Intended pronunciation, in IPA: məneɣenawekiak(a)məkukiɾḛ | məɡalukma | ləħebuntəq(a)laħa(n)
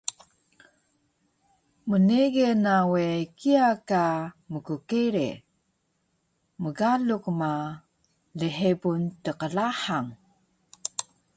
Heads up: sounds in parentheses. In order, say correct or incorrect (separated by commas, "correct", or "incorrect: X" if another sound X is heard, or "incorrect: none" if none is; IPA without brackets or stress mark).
correct, incorrect: ə, incorrect: ŋ